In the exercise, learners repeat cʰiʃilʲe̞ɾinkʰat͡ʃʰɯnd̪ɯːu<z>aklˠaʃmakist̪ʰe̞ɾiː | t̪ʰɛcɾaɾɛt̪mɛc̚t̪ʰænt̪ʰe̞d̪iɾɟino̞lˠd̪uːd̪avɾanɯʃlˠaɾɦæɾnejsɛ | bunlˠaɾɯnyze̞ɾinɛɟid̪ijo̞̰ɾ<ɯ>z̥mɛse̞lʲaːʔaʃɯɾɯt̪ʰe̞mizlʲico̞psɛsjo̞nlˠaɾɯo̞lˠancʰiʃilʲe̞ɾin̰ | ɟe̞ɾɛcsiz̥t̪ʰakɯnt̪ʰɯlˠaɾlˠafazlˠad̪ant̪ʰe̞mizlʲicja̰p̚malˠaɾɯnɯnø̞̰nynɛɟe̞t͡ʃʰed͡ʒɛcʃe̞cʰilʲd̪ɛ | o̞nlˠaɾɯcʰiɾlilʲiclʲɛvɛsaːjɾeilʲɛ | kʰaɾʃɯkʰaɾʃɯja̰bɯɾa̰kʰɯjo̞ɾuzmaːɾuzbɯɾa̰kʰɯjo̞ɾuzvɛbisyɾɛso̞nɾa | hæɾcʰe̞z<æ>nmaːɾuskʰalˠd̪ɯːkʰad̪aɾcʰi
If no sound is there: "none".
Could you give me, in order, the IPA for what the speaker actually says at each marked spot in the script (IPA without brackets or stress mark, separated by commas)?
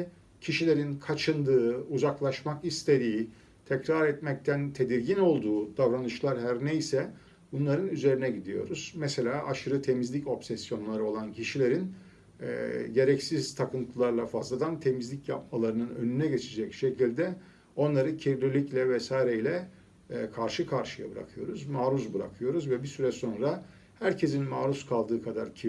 z, u, i